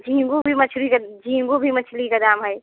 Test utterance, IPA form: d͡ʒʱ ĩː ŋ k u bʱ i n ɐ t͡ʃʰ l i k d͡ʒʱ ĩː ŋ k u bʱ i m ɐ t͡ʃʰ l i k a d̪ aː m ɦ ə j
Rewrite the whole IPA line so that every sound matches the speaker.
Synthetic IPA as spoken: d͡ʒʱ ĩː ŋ ɡ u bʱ i m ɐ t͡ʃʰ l i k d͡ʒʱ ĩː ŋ ɡ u bʱ i m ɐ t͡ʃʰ l i k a d̪ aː m ɦ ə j